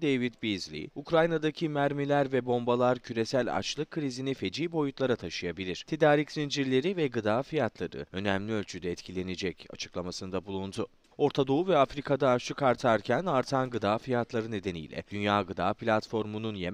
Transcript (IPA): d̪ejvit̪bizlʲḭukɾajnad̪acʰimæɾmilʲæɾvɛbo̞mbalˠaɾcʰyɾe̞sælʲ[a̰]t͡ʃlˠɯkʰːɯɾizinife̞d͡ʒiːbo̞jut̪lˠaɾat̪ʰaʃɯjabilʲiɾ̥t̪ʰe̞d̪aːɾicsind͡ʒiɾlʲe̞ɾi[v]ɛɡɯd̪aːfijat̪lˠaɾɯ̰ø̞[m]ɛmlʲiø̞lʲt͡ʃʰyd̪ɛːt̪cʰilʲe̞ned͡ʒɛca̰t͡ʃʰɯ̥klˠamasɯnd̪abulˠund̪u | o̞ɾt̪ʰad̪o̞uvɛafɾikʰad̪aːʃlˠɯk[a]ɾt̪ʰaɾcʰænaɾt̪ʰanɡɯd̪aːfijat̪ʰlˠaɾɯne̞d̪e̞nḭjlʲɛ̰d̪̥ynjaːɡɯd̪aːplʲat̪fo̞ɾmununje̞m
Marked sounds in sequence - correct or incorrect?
correct, correct, incorrect, correct

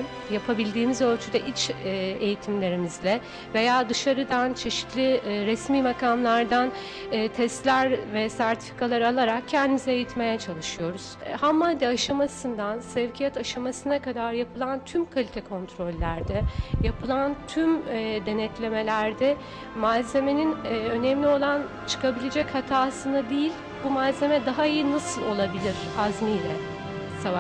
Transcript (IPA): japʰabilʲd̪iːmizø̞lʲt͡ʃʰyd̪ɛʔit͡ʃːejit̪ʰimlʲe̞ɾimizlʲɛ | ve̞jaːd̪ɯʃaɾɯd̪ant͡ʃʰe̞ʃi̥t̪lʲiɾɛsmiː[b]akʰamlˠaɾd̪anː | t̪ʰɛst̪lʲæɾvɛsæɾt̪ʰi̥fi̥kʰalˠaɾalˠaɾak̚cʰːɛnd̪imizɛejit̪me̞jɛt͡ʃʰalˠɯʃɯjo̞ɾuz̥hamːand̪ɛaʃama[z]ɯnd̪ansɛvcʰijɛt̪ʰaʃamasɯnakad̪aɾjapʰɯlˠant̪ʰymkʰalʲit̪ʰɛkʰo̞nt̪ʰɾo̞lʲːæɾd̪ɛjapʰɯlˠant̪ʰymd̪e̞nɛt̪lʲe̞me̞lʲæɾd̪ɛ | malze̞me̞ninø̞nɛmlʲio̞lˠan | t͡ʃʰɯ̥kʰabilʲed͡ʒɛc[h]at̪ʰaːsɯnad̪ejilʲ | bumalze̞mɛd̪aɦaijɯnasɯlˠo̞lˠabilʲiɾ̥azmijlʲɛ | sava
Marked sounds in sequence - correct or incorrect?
incorrect, incorrect, correct

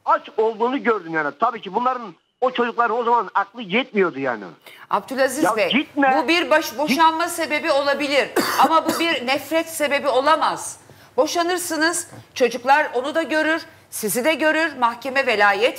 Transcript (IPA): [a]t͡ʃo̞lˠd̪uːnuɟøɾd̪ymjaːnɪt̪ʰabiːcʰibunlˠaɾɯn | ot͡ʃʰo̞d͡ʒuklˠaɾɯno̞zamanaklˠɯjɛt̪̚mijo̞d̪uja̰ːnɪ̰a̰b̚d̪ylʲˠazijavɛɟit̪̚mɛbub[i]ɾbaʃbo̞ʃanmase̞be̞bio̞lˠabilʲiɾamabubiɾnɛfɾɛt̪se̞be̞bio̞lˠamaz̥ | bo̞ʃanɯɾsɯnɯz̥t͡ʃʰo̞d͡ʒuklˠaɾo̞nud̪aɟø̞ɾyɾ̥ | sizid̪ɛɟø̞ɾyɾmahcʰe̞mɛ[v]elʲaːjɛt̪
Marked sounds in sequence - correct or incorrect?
correct, correct, correct

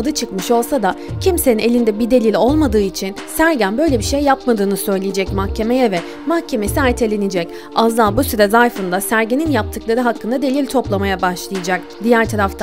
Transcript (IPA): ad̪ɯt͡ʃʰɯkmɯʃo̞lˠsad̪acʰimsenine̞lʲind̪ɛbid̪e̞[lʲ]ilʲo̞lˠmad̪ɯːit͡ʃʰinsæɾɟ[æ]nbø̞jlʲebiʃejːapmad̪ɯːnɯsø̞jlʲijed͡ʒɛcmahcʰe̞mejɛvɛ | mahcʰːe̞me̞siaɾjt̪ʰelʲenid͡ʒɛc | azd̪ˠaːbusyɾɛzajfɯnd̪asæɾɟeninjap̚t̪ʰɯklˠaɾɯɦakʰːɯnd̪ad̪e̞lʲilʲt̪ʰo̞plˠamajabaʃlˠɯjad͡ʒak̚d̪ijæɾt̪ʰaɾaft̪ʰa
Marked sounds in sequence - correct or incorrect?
correct, correct

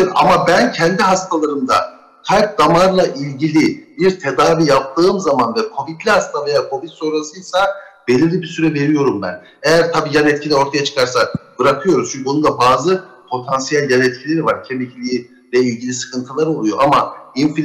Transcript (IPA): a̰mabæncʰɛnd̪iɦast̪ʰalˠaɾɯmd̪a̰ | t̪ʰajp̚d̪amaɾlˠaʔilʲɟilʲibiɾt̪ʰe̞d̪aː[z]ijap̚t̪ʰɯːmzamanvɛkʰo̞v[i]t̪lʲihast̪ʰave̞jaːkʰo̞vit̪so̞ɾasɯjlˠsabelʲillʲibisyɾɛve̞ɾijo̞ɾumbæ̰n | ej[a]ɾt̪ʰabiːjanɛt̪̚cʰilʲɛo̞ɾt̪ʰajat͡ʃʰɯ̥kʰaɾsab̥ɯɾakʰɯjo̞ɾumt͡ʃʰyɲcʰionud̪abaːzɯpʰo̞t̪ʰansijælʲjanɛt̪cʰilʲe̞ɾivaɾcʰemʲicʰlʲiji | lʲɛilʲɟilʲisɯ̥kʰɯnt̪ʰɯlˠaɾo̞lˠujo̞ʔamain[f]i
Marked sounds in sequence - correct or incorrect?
incorrect, correct, incorrect, correct

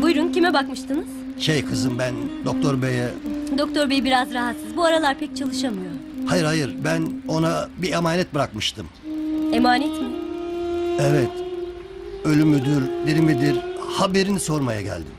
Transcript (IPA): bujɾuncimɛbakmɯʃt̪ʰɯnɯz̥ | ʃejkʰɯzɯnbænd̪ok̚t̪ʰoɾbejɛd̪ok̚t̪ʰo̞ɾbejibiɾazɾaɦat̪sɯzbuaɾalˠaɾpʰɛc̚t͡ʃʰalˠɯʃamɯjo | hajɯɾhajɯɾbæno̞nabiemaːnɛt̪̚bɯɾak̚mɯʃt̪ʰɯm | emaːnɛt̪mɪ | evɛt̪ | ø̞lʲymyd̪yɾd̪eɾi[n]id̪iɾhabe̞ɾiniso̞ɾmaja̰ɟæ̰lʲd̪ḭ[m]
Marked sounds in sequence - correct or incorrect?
incorrect, correct

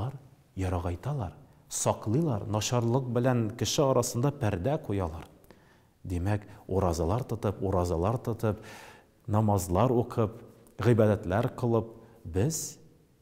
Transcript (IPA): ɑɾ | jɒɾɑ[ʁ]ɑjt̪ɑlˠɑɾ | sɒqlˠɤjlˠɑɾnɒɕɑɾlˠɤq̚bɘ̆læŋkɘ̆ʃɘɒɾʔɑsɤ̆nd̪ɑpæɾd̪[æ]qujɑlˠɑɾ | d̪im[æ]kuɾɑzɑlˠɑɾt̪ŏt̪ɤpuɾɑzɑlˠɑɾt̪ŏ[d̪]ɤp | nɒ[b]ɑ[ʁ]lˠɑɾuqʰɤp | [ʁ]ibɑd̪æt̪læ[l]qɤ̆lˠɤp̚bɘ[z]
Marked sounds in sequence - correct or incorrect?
correct, correct, correct, incorrect, incorrect, incorrect, correct, incorrect, correct

